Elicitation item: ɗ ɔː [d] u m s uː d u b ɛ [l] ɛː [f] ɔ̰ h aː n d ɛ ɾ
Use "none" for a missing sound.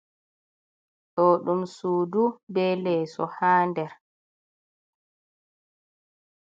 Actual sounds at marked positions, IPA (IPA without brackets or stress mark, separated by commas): ɗ, l, s